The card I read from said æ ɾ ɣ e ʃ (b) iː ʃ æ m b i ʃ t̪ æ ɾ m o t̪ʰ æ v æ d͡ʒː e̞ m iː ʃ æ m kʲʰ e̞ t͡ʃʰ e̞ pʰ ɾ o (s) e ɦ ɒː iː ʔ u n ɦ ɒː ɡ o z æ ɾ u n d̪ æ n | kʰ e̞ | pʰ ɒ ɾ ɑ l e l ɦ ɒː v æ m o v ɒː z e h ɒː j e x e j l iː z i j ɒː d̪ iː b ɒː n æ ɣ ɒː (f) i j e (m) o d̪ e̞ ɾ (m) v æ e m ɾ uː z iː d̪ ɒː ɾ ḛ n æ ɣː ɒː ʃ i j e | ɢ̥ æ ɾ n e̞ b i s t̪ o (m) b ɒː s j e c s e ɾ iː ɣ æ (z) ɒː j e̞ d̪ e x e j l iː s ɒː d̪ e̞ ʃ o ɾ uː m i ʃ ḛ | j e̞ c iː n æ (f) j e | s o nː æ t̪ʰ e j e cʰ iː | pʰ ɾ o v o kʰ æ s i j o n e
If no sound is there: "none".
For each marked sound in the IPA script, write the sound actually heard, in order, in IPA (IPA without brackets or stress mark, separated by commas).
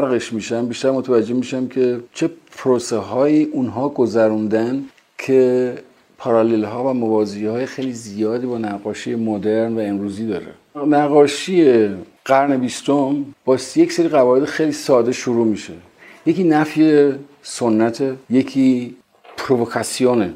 m, s, ʃ, m, n, m, v, f